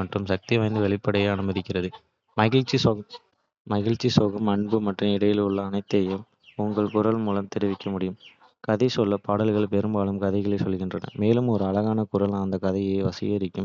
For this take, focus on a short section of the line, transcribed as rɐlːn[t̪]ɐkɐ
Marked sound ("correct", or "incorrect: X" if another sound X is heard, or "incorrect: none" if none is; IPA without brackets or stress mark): incorrect: d̪